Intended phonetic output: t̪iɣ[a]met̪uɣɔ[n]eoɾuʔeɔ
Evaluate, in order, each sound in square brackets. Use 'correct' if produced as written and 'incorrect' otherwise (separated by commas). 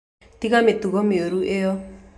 correct, incorrect